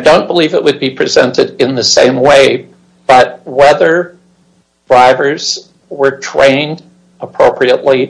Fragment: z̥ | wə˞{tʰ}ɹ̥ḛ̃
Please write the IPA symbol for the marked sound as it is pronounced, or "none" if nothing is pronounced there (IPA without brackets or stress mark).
tʰ